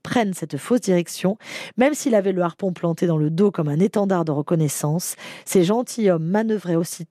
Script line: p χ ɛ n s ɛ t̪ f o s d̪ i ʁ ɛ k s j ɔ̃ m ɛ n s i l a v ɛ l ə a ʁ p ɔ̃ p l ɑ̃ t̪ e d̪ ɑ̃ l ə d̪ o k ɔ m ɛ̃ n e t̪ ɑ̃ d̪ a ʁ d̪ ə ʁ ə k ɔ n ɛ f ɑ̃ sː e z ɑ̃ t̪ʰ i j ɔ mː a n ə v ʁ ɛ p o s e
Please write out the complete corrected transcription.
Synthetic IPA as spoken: p χ ɛ n s ɛ t̪ f o s d̪ i ʁ ɛ k s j ɔ̃ m ɛ m s i l a v ɛ l ə a ʁ p ɔ̃ p l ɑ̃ t̪ e d̪ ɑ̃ l ə d̪ o k ɔ m ɛ̃ n e t̪ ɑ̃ d̪ a ʁ d̪ ə ʁ ə k ɔ n ɛ s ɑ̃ sː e ʒ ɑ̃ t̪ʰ i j ɔ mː a n ə v ʁ ɛ o s i